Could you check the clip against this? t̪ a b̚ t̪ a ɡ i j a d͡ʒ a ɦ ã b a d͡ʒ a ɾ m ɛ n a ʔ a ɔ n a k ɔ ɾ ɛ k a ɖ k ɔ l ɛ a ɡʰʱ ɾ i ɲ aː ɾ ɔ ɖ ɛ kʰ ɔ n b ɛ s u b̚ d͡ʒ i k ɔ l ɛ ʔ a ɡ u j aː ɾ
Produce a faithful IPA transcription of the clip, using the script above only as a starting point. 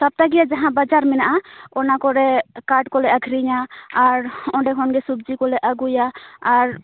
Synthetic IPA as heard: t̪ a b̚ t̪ a ɡ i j a d͡ʒ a ɦ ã b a d͡ʒ a ɾ m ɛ n a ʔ a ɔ n a k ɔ ɾ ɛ k a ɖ k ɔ l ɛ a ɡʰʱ ɾ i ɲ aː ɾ ɔ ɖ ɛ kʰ ɔ n ɡ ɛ s u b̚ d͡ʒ i k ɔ l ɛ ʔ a ɡ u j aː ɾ